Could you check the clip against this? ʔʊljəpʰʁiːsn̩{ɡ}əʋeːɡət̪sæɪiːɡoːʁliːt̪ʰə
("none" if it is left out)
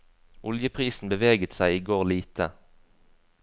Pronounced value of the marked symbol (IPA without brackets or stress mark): b